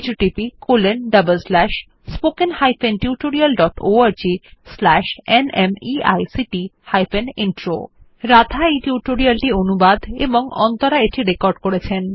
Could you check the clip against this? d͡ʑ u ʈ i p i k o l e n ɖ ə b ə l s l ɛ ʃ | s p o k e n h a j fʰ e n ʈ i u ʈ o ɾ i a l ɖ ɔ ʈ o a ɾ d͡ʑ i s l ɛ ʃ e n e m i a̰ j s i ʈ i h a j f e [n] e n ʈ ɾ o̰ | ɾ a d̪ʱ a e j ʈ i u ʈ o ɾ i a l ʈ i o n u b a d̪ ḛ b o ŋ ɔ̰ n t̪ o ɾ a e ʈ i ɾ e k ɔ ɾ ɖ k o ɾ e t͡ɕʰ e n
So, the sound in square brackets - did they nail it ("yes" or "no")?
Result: yes